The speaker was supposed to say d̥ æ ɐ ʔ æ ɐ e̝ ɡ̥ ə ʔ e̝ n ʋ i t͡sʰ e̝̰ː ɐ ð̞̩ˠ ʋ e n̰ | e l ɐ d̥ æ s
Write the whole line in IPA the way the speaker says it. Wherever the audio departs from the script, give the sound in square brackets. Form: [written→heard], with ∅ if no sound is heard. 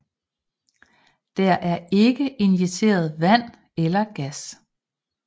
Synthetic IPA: d̥ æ ɐ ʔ æ ɐ e̝ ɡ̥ ə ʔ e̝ n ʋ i t͡sʰ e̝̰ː ɐ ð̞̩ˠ ʋ [e→æ] n̰ | e l ɐ [d̥→ɡ̥] æ s